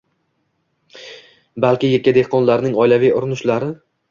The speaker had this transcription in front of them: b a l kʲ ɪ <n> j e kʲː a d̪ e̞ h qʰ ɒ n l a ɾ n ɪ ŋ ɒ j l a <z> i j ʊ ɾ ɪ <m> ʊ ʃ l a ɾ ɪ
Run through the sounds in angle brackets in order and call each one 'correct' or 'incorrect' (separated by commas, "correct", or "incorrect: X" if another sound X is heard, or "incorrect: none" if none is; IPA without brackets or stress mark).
incorrect: none, incorrect: v, incorrect: n